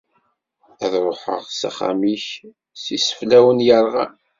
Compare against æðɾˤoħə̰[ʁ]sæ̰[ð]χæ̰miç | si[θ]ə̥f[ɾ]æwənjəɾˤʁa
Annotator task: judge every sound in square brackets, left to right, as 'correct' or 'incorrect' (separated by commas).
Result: correct, incorrect, incorrect, incorrect